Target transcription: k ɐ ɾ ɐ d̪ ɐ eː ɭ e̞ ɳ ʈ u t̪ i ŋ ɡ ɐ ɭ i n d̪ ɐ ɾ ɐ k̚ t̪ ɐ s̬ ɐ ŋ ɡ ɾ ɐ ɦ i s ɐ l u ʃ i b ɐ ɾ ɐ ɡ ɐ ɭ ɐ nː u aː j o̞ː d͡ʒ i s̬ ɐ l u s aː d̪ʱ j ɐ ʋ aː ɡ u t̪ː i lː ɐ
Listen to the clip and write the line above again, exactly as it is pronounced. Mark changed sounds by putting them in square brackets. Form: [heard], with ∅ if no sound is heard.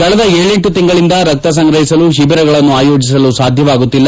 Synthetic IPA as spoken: k ɐ [ɭ] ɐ d̪ ɐ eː ɭ e̞ ɳ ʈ u t̪ i ŋ ɡ ɐ ɭ i n d̪ ɐ ɾ ɐ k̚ t̪ ɐ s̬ ɐ ŋ ɡ ɾ ɐ ɦ i s ɐ l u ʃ i b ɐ ɾ ɐ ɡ ɐ ɭ ɐ nː u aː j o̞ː d͡ʒ i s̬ ɐ l u s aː d̪ʱ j ɐ ʋ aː ɡ u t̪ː i lː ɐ